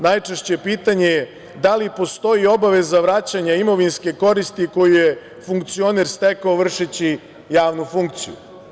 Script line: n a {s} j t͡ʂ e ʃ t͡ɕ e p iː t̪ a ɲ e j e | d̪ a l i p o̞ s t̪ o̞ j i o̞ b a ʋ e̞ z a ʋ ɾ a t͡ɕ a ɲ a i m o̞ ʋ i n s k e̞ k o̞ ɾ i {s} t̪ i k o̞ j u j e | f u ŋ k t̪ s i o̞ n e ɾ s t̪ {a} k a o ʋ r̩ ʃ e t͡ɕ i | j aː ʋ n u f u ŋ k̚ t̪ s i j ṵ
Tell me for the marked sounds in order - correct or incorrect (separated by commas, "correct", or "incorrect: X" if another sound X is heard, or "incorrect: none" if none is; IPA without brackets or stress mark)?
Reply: incorrect: none, correct, incorrect: e